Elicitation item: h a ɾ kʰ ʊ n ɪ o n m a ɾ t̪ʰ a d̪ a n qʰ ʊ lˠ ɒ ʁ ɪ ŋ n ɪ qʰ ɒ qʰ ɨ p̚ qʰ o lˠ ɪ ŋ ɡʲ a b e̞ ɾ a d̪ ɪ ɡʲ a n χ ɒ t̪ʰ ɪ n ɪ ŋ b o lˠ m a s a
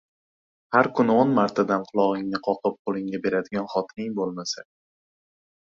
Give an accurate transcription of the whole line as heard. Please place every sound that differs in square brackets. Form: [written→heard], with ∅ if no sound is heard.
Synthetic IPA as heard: h a ɾ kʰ ʊ n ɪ o n m a ɾ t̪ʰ a d̪ a n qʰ ʊ lˠ ɒ ʁ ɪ ŋ n ɪ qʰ ɒ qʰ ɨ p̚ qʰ o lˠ ɪ ŋ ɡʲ a b e̞ ɾ a d̪ ɪ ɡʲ a n χ ɒ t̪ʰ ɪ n ɪ ŋ b o lˠ m a s a